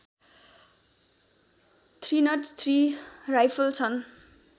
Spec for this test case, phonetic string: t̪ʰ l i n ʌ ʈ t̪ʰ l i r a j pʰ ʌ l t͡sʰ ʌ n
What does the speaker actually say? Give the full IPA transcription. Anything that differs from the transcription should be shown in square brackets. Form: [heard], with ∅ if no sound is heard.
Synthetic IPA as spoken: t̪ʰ [r] i n ʌ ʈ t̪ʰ [r] i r a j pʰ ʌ l t͡sʰ ʌ n